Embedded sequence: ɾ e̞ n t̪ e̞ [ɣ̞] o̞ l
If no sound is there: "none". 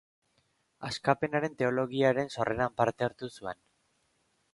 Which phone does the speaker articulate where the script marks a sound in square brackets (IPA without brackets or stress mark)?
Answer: none